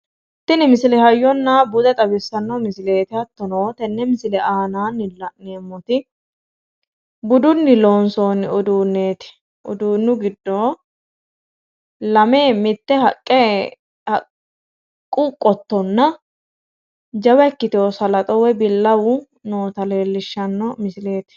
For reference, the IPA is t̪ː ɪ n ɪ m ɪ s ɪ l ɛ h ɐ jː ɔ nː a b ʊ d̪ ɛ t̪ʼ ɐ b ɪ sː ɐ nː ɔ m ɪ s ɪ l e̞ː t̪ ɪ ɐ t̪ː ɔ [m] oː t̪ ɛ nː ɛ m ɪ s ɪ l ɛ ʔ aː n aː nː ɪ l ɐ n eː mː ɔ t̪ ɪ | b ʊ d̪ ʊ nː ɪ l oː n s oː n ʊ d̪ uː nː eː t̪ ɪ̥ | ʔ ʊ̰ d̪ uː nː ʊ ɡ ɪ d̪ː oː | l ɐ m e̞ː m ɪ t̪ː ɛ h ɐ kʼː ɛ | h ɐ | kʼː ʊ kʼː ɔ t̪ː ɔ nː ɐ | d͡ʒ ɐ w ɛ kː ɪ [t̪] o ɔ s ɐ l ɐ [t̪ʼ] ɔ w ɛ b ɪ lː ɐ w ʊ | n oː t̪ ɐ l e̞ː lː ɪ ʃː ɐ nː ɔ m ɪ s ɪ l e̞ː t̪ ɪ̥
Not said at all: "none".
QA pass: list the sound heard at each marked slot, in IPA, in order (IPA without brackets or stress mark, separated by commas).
n, t̪, t̪ʼ